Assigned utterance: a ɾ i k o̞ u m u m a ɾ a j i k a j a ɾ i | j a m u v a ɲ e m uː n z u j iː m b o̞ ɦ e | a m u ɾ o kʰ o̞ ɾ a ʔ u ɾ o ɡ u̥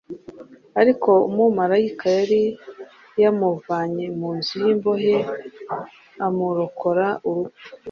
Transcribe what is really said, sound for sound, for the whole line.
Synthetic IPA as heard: a ɾ i k o̞ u m u m a ɾ a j i k a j a ɾ i | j a m u v a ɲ e m uː n z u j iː m b o̞ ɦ e | a m u ɾ o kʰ o̞ ɾ a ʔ u ɾ u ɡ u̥